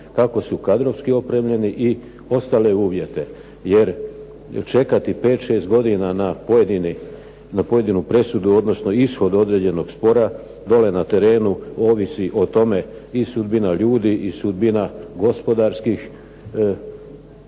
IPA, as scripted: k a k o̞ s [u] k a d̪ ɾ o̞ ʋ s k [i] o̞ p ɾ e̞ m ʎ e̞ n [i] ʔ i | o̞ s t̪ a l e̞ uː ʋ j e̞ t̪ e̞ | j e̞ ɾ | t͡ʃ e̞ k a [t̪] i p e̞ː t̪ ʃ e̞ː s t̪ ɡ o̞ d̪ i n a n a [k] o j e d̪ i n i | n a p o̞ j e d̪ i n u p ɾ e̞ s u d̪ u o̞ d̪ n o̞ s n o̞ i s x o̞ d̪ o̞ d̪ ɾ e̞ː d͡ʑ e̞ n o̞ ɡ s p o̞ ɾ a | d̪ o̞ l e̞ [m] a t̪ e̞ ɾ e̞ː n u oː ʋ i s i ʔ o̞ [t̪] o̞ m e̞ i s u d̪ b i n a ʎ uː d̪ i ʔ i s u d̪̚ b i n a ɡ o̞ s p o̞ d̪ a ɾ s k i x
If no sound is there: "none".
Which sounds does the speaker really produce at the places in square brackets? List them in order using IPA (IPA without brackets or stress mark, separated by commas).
u, i, i, t̪, p, n, t̪